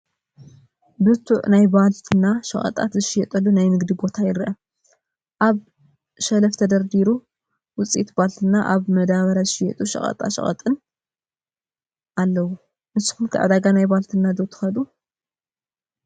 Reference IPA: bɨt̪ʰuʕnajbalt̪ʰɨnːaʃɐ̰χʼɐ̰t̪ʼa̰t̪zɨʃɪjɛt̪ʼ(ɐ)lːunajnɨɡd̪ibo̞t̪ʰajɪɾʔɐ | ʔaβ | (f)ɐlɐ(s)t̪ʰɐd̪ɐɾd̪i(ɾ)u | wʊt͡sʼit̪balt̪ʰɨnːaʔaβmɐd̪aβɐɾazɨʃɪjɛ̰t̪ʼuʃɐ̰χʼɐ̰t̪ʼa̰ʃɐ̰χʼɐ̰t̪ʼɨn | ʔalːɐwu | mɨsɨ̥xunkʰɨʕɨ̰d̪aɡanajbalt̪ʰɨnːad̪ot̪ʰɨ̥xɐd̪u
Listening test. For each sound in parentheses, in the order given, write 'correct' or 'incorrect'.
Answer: correct, incorrect, incorrect, correct

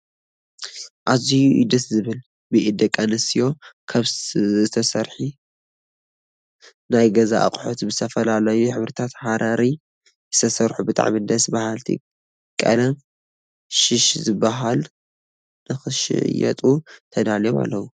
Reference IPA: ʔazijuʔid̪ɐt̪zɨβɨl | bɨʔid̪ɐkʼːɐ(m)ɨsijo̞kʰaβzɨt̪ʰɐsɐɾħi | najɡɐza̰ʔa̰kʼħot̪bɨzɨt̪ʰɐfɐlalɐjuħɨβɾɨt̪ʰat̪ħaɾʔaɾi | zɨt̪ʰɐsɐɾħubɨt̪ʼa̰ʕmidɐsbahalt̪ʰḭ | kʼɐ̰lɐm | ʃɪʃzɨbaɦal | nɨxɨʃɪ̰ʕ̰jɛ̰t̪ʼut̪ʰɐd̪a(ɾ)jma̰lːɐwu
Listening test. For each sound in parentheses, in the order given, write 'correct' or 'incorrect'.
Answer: incorrect, incorrect

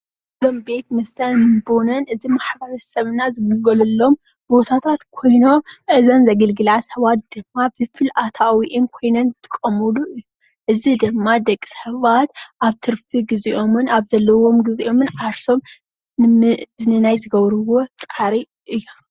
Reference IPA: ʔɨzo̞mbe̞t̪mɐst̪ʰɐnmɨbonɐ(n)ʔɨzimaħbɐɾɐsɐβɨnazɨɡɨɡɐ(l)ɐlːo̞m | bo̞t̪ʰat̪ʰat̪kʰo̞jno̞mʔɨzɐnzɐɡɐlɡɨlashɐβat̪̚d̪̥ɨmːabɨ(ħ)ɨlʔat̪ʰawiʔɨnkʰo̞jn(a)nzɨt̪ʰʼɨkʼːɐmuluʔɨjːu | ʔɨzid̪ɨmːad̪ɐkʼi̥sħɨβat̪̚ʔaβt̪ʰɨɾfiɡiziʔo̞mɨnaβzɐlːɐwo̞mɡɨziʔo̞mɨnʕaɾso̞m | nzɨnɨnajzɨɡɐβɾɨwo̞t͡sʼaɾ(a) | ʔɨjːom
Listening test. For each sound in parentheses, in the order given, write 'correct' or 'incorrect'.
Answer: correct, correct, incorrect, incorrect, incorrect

